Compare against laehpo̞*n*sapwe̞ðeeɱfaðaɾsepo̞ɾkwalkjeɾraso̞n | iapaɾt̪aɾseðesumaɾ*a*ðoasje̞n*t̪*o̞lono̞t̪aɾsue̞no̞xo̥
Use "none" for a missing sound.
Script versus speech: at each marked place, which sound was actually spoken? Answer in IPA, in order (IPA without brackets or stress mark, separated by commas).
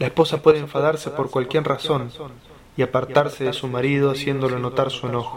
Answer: none, i, d̪